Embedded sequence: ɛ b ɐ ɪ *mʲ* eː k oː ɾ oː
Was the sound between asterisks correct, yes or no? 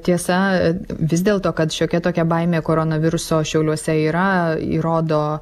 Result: yes